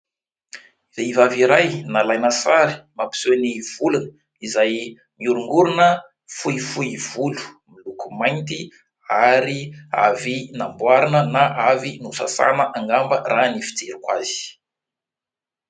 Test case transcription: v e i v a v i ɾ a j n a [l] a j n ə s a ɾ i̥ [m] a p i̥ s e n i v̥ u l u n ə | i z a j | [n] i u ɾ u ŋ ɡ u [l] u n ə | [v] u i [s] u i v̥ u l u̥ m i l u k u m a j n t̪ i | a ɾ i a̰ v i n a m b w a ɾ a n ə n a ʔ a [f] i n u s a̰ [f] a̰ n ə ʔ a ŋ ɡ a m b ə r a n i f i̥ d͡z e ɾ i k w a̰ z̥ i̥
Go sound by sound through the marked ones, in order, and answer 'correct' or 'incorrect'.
correct, correct, incorrect: m, incorrect: ɾ, incorrect: f, incorrect: f, incorrect: v, incorrect: s

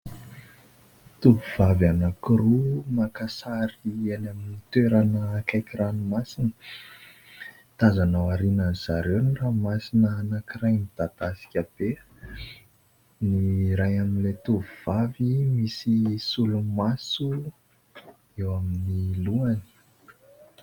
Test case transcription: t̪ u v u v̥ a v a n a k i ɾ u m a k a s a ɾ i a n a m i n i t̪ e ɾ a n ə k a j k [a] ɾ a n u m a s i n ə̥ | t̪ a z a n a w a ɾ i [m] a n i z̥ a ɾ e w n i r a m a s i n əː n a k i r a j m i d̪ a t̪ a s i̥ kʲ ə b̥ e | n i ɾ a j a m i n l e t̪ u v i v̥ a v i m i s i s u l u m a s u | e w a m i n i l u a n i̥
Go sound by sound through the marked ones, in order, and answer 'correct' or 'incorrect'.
incorrect: i, incorrect: n

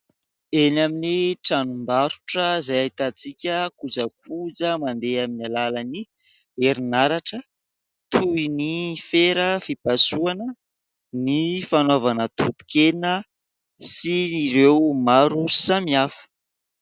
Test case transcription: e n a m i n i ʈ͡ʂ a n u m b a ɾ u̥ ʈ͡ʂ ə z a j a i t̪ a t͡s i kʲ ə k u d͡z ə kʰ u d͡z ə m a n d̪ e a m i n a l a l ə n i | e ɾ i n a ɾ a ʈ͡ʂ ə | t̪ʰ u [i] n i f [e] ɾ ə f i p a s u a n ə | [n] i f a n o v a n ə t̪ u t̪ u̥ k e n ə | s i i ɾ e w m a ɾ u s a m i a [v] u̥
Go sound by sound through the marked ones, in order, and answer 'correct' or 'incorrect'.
correct, correct, correct, incorrect: f

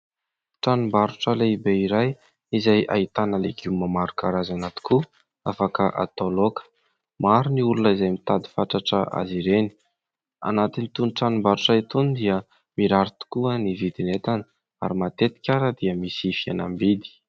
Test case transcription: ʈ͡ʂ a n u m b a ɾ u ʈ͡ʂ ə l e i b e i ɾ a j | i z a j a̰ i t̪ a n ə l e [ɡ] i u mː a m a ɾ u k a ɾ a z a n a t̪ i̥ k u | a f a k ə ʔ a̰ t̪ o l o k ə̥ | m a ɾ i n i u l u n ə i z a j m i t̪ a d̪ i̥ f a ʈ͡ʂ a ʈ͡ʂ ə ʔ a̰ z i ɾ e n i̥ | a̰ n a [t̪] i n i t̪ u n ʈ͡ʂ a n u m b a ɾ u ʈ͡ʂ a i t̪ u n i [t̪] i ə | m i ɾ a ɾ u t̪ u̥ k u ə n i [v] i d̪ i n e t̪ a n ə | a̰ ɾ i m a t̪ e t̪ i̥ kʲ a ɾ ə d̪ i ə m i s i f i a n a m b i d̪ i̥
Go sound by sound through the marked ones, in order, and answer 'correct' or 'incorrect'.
correct, correct, incorrect: d̪, correct

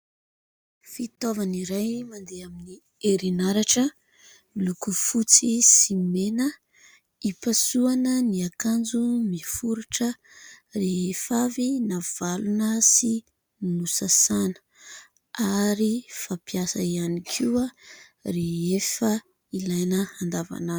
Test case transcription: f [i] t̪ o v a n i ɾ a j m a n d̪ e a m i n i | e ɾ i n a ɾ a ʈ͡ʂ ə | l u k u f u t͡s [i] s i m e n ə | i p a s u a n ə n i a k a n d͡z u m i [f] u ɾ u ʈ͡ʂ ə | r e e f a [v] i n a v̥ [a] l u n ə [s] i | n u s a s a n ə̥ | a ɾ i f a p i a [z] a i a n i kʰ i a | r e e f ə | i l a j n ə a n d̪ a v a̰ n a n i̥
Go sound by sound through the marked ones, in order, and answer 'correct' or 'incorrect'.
correct, correct, correct, correct, correct, correct, incorrect: s

